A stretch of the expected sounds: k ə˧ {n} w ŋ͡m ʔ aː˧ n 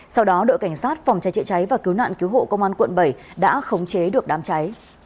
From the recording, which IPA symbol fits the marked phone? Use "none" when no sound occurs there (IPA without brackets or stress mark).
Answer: none